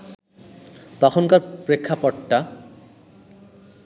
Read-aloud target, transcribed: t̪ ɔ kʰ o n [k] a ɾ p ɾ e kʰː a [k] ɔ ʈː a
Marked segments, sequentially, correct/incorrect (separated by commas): correct, incorrect